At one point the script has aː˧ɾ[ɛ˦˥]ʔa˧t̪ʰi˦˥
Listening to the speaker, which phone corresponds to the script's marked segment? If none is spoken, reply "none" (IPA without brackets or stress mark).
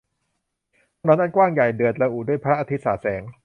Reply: a˦˥